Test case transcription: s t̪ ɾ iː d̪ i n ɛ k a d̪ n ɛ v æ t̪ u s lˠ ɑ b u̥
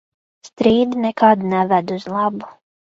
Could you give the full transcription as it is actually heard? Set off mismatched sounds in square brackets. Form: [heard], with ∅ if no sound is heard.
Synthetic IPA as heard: s t̪ ɾ iː d̪ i n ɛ k a d̪ n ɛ v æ [d̪] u [z] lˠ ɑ b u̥